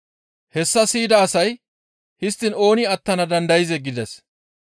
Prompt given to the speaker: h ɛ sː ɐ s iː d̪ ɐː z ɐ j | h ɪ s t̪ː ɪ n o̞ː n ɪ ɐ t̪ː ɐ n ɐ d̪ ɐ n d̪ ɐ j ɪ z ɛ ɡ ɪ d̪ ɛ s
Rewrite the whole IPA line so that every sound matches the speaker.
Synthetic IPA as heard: h ɛ sː ɐ s iː d̪ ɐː s ɐ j | h ɪ s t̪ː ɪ n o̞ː n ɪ ɐ t̪ː ɐ n ɐ d̪ ɐ n d̪ ɐ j ɪ z ɛ ɡ ɪ d̪ ɛ s